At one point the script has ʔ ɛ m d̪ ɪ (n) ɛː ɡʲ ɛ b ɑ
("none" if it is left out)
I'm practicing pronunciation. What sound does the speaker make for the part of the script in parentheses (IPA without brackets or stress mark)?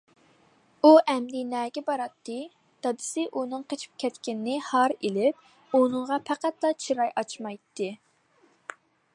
n